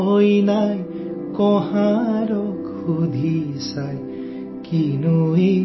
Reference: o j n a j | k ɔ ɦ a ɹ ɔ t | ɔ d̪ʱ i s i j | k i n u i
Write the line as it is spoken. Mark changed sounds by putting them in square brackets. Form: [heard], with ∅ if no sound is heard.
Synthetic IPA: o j n a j | k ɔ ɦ a [ɾ] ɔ [k] | [u] d̪ʱ i s [a] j | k i n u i